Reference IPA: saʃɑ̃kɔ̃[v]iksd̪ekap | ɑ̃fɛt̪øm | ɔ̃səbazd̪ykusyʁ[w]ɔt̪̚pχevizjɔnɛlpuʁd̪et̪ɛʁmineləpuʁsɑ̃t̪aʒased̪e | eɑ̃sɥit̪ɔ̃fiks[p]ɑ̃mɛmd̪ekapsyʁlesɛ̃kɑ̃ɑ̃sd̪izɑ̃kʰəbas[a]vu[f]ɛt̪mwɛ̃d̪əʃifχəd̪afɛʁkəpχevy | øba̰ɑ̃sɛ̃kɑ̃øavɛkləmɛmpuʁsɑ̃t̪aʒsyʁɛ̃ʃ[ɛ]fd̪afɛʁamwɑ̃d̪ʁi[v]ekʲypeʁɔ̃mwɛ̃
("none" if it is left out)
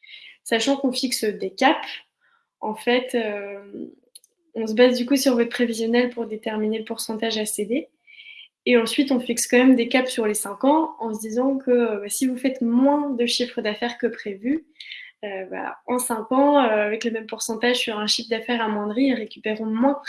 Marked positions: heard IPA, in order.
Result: f, v, k, i, f, i, ʁ

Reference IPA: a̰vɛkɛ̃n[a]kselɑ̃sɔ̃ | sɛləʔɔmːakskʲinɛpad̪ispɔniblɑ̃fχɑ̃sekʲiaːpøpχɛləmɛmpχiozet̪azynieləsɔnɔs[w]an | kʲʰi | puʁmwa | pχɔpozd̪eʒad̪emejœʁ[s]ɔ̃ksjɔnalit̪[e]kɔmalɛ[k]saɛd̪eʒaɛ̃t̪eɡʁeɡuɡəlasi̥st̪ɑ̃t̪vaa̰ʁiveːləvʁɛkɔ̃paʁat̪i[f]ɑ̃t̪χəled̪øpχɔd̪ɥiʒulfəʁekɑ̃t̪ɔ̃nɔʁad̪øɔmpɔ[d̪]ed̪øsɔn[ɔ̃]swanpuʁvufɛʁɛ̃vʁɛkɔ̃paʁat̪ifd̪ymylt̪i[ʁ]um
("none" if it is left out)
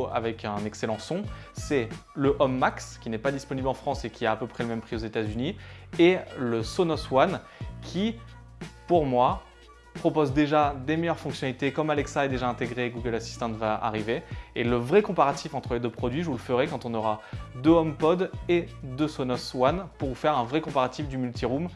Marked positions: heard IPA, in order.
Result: ɛ, w, f, e, k, f, d̪, ɔ, ʁ

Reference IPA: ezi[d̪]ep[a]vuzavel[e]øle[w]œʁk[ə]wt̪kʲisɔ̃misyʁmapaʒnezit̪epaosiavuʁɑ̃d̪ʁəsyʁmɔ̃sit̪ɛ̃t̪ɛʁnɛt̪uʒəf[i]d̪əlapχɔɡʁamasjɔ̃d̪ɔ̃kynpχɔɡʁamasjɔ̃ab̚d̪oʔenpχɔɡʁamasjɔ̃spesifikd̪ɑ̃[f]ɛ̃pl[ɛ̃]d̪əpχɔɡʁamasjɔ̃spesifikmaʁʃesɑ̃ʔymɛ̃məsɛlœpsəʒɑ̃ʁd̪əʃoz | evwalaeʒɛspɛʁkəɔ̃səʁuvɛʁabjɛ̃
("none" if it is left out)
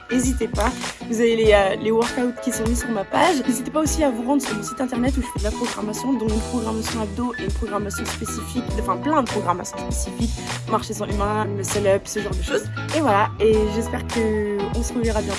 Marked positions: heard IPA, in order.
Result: t̪, a, e, w, a, ɛ, f, ɛ̃

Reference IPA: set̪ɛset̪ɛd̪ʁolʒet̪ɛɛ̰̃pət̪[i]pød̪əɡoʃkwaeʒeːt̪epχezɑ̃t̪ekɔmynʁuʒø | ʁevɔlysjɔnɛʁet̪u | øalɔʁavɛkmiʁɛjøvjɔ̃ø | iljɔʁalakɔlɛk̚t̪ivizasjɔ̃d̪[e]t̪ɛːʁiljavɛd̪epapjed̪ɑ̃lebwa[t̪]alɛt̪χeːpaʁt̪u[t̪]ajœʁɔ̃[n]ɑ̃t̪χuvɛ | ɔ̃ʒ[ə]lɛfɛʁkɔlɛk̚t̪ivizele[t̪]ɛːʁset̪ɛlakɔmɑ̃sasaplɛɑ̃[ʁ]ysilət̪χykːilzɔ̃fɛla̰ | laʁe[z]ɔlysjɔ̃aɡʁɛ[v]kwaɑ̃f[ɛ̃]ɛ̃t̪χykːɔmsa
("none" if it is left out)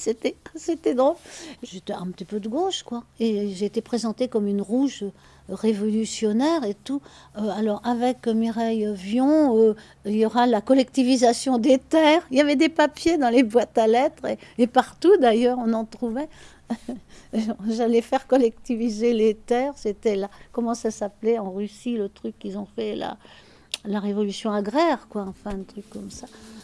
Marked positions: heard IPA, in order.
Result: i, e, t̪, d̪, n, a, t̪, ʁ, v, ʁ, ɛ̃

